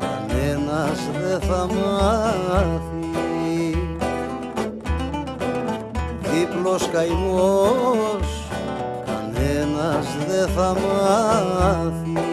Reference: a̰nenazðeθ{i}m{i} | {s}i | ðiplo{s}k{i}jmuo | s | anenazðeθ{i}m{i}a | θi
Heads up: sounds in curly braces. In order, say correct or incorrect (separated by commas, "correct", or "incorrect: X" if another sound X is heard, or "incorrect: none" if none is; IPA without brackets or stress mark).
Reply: incorrect: a, incorrect: a, incorrect: θ, correct, incorrect: a, incorrect: a, incorrect: a